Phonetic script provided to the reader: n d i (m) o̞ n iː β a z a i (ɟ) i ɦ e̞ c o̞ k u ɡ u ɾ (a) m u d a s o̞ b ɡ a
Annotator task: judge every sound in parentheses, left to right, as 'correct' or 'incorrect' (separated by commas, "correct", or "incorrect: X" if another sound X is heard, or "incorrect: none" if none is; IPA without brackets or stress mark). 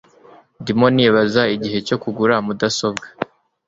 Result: correct, correct, correct